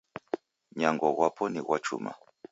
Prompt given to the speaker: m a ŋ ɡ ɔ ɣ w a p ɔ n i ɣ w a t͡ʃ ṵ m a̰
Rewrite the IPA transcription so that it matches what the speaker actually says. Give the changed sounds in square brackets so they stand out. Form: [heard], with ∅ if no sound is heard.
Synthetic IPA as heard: [ɲ] a ŋ ɡ ɔ ɣ w a p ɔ n i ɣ w a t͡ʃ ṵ m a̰